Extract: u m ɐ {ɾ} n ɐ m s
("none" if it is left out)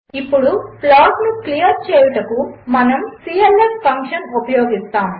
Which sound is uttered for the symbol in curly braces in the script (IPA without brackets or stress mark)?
none